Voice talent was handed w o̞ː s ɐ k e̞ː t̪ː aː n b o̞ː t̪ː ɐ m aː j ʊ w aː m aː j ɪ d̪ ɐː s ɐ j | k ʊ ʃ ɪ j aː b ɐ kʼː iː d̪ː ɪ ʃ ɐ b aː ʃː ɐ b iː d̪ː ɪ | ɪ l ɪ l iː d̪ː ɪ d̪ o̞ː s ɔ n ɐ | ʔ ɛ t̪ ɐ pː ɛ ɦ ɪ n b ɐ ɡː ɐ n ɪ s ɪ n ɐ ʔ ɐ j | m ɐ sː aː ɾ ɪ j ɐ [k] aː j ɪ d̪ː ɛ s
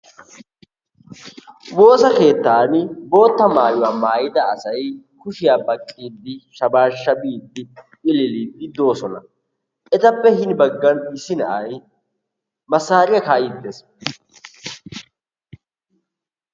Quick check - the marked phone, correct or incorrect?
correct